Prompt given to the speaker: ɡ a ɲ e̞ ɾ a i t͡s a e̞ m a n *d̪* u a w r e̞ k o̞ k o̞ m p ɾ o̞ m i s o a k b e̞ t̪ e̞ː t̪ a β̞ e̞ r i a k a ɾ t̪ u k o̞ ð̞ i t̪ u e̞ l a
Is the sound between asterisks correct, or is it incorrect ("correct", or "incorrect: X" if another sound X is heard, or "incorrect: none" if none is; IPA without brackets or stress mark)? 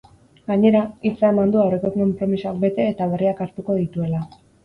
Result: correct